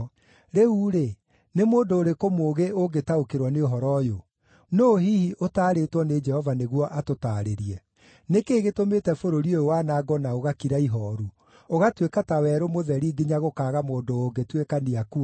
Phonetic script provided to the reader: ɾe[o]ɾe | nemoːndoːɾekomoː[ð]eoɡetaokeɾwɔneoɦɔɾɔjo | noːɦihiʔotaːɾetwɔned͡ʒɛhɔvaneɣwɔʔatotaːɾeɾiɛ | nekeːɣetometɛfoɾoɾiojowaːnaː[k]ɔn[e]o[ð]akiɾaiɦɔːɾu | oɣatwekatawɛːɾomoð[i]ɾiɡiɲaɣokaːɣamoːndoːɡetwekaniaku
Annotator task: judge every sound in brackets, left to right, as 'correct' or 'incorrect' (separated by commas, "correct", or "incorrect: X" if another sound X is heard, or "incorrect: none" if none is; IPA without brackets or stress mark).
incorrect: u, incorrect: ɣ, incorrect: ɡ, incorrect: a, incorrect: ɣ, incorrect: ɛ